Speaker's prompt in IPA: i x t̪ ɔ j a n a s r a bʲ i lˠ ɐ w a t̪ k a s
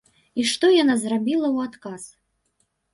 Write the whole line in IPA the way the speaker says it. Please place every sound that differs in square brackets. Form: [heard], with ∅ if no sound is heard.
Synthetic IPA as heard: i [ʂ] t̪ ɔ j a n a [z] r a bʲ i lˠ ɐ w a t̪ k a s